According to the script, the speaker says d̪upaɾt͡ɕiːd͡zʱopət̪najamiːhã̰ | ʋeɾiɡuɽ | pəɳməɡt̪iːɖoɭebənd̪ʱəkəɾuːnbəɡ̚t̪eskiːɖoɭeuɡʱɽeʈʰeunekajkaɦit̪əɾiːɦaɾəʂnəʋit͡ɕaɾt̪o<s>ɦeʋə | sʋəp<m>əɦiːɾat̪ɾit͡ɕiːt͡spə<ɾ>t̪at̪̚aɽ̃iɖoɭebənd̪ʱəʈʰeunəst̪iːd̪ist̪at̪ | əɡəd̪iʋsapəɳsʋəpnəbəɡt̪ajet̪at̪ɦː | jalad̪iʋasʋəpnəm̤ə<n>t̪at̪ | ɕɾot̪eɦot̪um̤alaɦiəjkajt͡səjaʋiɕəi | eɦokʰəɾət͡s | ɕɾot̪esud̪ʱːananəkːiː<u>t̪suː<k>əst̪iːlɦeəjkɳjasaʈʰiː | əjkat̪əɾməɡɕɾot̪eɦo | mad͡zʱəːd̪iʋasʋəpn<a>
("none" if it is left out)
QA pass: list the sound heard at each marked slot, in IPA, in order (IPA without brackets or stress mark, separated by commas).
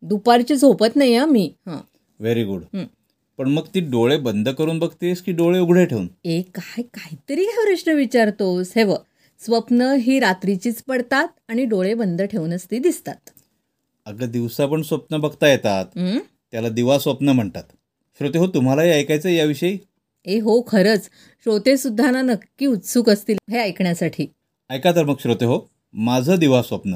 s, n, ɽ, ɳ, u, k, ə